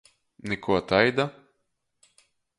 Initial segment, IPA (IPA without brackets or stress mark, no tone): n